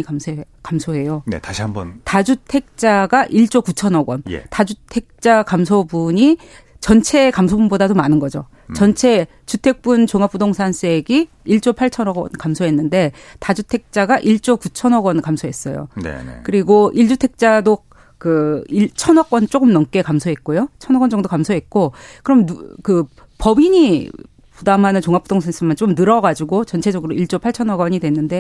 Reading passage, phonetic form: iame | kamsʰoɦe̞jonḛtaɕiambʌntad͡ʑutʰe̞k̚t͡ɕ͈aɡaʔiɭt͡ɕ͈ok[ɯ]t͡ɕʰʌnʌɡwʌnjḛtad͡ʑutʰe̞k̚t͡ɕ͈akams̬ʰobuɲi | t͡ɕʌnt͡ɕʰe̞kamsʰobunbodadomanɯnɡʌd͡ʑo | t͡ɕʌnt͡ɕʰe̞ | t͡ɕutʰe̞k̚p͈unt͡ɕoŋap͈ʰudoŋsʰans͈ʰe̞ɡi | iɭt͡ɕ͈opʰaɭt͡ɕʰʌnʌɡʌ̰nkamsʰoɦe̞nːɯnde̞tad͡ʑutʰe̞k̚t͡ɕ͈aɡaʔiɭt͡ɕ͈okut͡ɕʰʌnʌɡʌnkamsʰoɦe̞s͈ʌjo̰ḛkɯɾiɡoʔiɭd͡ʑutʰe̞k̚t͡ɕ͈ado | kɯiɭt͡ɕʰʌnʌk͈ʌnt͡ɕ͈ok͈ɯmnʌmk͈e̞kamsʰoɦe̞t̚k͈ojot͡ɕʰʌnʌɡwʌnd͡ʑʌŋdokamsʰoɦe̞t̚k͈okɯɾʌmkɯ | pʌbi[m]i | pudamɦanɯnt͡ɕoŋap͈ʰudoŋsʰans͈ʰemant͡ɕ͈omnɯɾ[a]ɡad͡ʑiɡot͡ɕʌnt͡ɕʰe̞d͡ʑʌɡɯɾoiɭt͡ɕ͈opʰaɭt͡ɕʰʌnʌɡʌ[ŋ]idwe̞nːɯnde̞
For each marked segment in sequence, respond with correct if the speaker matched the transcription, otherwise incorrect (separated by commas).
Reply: incorrect, incorrect, incorrect, incorrect